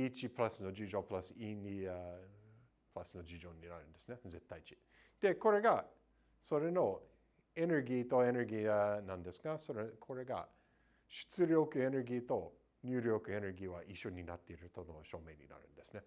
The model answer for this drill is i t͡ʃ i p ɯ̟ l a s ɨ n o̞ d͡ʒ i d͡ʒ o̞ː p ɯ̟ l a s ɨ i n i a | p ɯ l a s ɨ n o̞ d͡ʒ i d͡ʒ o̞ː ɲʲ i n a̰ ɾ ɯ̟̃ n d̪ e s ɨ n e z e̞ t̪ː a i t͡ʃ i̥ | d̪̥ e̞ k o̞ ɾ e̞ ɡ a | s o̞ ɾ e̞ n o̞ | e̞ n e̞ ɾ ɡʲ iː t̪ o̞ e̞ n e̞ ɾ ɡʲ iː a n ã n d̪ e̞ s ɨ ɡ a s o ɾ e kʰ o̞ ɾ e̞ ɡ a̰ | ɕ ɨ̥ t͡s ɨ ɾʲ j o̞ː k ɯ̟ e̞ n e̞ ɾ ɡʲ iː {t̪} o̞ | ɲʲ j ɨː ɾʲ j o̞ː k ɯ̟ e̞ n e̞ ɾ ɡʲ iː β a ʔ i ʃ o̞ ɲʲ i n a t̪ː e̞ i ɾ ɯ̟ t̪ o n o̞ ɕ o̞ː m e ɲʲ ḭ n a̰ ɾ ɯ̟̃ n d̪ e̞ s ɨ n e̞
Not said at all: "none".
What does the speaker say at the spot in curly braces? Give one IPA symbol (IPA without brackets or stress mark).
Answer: t̪